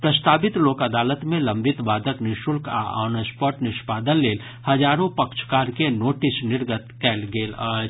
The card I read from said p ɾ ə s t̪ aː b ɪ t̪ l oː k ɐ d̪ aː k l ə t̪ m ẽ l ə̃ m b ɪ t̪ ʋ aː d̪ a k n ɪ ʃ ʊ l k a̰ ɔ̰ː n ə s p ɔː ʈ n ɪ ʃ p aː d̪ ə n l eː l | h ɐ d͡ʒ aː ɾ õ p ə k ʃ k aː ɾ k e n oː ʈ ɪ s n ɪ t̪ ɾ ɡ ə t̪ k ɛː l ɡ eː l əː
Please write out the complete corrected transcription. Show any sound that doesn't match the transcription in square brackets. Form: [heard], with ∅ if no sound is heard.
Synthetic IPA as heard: p ɾ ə s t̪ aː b ɪ t̪ l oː k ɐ d̪ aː [∅] l ə t̪ m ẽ l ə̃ m b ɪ t̪ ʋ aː d̪ [ə] k n ɪ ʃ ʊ l k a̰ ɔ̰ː n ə s p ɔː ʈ n ɪ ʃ p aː d̪ ə n l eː l | h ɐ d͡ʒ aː ɾ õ p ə k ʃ k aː ɾ k e n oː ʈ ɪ s n ɪ [∅] ɾ ɡ ə t̪ k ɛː l ɡ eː l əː